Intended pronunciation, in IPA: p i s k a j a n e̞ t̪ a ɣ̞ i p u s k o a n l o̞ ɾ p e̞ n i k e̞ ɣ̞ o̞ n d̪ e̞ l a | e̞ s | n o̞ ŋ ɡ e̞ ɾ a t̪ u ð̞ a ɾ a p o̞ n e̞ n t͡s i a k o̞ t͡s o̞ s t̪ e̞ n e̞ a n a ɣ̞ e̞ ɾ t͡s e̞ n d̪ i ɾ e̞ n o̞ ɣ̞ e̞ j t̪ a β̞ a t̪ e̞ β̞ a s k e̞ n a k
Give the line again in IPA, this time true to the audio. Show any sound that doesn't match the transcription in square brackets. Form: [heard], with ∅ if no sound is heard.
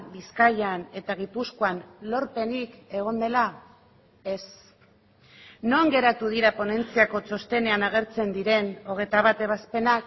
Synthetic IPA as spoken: [b] i s k a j a n e̞ t̪ a ɣ̞ i p u s k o a n l o̞ ɾ p e̞ n i k e̞ ɣ̞ o̞ n d̪ e̞ l a | e̞ s | n o̞ ŋ ɡ e̞ ɾ a t̪ u ð̞ [i] ɾ a p o̞ n e̞ n t͡s i a k o̞ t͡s o̞ s t̪ e̞ n e̞ a n a ɣ̞ e̞ ɾ t͡s e̞ n d̪ i ɾ e̞ n o̞ ɣ̞ e̞ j t̪ a β̞ a t̪ e̞ β̞ a s [p] e̞ n a k